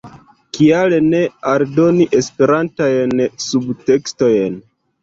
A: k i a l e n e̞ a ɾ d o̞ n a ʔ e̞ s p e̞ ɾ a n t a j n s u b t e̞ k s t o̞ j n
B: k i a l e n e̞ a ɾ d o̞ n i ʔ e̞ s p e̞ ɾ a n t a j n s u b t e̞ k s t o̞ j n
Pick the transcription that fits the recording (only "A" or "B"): B